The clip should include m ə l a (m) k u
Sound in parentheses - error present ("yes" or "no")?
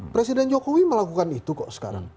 yes